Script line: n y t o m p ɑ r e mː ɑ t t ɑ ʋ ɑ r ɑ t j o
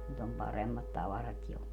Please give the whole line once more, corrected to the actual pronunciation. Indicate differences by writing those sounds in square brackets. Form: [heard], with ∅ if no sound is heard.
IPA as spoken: n y t o m p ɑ r e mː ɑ t t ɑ ʋ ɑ r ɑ t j o